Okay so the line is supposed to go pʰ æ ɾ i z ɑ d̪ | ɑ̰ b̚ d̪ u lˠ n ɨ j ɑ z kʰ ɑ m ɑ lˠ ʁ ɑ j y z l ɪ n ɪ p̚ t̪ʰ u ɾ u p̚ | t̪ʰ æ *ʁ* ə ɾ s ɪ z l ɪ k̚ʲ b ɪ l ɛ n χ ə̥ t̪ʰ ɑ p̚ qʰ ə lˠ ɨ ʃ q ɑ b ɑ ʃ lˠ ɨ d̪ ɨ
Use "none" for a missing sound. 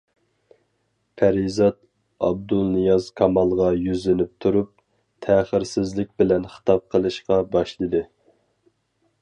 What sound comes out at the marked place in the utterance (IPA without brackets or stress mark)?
χ